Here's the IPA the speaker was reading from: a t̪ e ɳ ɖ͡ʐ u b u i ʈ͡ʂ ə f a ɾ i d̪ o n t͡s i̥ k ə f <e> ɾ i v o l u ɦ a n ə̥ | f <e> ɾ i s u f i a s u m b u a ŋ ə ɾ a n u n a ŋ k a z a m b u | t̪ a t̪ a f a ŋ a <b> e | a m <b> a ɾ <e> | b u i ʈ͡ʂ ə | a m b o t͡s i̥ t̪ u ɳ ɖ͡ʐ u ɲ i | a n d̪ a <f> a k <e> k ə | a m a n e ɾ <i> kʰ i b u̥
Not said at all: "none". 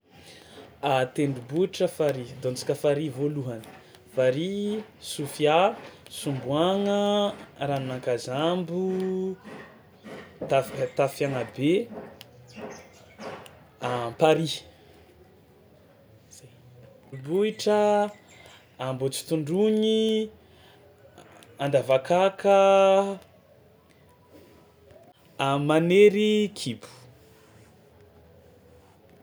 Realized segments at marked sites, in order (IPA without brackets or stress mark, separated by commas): a, a, b, p, i, v, a, i